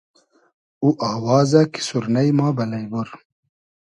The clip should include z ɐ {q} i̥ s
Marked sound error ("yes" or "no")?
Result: yes